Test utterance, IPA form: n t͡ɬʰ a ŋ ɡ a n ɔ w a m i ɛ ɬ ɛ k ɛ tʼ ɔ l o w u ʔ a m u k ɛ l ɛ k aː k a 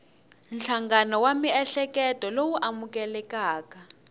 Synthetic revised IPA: n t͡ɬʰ a ŋ ɡ a n ɔ w a m i ɛ ɬ ɛ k ɛ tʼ ɔ l o w u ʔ a m u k ɛ l ɛ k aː k a